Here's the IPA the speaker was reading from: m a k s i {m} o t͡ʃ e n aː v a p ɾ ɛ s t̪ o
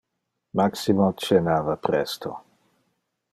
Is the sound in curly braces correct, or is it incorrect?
correct